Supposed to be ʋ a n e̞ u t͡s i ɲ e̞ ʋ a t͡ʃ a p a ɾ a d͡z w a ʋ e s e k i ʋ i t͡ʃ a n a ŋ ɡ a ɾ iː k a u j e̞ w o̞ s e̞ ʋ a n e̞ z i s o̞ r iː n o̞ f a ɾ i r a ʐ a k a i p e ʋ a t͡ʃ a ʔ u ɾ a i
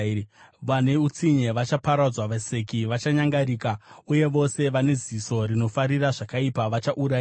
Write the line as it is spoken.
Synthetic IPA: ʋ a n e̞ u t͡s i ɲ e̞ ʋ a t͡ʃ a p a ɾ a d͡z w a ʋ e s e k i ʋ a t͡ʃ a ɲ a ŋ ɡ a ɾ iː k a u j e̞ ʋ o̞ s e̞ ʋ a n e̞ z i s o̞ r i n o̞ f a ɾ i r a ʐ a k a i p a ʋ a t͡ʃ a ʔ u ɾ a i